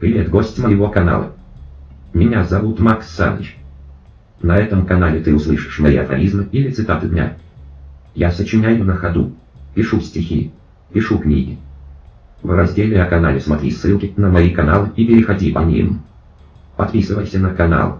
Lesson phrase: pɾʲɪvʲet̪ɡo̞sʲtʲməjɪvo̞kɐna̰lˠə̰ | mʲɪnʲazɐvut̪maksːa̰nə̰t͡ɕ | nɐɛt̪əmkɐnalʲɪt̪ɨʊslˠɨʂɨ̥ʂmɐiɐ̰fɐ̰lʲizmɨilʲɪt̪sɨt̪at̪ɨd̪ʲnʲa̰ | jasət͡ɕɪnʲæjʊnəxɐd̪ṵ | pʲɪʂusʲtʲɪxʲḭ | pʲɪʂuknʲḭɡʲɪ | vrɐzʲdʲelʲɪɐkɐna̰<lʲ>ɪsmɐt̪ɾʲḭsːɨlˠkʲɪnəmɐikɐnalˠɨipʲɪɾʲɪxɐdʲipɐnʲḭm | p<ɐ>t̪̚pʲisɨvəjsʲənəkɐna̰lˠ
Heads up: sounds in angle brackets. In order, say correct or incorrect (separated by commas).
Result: correct, correct